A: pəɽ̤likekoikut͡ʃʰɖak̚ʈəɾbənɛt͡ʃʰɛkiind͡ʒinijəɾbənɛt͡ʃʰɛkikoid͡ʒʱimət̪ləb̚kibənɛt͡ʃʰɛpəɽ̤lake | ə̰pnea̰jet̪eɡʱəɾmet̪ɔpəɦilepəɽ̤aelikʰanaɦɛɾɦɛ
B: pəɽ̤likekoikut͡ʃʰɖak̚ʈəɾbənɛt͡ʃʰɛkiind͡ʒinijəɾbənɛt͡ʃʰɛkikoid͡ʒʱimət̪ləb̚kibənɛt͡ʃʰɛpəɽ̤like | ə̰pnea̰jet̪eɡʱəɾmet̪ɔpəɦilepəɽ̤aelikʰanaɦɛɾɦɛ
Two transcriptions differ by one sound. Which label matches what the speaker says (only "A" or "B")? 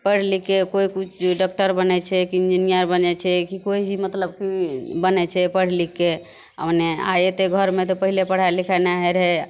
B